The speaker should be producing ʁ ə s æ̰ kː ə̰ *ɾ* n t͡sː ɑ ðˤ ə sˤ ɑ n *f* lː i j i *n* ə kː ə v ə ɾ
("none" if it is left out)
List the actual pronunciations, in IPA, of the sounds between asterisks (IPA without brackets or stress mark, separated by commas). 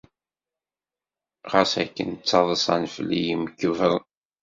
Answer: none, f, m